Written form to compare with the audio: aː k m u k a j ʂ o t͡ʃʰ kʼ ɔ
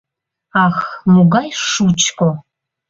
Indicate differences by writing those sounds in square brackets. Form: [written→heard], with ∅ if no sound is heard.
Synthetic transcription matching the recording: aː [k→x] m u [k→ɡ] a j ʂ [o→u] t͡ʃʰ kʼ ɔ